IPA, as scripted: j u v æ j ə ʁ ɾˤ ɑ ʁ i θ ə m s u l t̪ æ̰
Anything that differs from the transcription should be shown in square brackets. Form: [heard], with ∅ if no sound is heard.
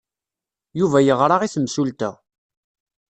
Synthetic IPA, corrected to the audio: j u v æ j ə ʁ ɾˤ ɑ ʁ i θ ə m s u l t̪ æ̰